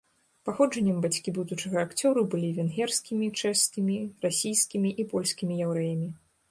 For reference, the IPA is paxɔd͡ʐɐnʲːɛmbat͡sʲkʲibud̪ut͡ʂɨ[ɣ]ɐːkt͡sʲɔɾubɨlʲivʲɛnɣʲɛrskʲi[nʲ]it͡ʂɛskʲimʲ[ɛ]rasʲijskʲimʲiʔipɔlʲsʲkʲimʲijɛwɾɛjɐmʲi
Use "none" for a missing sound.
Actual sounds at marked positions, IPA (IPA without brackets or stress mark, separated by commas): ɣ, mʲ, i